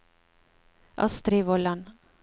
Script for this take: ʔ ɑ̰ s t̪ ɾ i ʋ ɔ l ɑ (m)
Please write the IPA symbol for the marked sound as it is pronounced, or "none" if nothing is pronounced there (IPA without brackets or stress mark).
n